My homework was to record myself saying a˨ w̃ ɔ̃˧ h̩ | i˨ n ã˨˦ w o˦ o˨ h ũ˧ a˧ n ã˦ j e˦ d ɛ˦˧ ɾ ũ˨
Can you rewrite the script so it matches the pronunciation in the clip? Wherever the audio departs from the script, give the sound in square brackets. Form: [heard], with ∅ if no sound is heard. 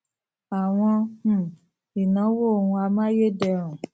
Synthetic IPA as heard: a˨ w̃ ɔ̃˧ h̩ | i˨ n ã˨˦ w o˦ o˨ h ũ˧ a˧ [m] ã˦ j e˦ d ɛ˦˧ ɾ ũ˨